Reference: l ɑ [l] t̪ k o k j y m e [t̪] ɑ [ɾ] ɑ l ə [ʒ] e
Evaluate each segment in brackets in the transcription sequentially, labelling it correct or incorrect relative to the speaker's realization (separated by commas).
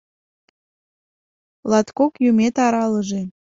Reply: incorrect, correct, correct, correct